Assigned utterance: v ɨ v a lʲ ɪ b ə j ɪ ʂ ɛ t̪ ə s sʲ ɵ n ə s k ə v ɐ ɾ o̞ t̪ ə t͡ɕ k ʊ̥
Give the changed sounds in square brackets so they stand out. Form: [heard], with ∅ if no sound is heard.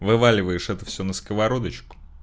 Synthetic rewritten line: v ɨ v a lʲ ɪ [v] ə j ɪ ʂ ɛ t̪ ə [f] sʲ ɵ n ə s k ə v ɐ ɾ o̞ [d̪] ə t͡ɕ k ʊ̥